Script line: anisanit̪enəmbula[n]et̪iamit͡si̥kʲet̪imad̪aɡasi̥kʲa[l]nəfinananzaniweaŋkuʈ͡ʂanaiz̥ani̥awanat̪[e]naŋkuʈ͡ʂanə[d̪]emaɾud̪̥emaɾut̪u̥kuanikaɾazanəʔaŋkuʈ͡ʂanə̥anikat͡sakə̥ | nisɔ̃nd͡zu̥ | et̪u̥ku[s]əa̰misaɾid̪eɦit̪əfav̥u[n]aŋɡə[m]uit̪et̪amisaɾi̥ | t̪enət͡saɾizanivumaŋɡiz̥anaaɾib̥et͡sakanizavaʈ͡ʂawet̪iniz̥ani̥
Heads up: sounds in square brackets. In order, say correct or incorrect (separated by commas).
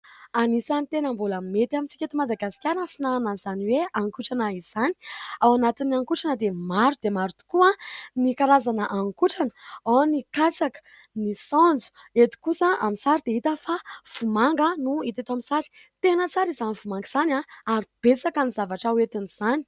incorrect, incorrect, incorrect, correct, correct, incorrect, incorrect